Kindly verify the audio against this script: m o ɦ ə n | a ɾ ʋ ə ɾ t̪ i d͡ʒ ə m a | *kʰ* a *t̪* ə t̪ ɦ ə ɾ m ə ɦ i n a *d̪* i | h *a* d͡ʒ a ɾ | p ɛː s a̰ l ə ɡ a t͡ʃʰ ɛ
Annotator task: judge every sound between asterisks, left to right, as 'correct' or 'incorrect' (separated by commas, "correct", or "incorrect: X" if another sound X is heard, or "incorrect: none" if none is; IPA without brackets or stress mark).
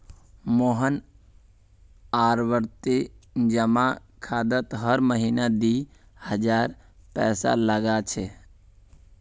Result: correct, incorrect: d̪, correct, incorrect: ə